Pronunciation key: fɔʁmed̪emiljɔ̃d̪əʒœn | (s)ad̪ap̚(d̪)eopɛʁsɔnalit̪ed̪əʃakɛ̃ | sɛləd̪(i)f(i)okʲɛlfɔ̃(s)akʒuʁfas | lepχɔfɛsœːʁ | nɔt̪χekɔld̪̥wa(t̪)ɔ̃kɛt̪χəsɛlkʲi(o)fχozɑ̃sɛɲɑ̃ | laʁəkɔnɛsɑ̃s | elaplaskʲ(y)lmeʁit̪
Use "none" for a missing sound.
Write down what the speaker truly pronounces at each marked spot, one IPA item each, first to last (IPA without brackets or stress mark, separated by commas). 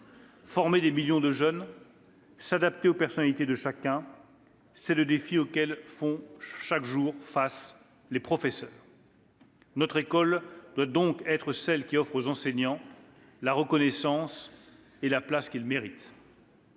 s, t̪, e, i, ʃ, d̪, ɔ, i